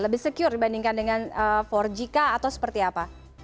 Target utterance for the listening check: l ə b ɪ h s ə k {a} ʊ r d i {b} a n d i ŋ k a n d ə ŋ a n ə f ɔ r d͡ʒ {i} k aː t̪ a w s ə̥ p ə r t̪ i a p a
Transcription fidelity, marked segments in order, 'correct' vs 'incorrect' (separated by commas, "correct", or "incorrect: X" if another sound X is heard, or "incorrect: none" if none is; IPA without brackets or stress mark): incorrect: i, correct, correct